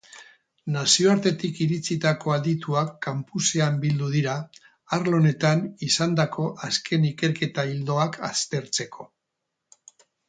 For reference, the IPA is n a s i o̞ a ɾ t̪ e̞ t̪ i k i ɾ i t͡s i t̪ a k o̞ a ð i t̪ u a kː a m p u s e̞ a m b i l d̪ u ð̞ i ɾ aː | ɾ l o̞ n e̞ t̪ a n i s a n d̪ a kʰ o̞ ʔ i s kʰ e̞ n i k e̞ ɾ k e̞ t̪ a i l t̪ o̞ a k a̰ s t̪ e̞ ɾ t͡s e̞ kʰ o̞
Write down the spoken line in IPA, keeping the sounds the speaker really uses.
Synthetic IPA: n a s i o̞ a ɾ t̪ e̞ t̪ i k i ɾ i t͡s i t̪ a k o̞ a ð i t̪ u a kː a m p u s e̞ a m b i l d̪ u ð̞ i ɾ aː | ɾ l o̞ n e̞ t̪ a n i s a n d̪ a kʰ o̞ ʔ a s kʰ e̞ n i k e̞ ɾ k e̞ t̪ a i l d̪ o̞ a k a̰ s t̪ e̞ ɾ t͡s e̞ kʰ o̞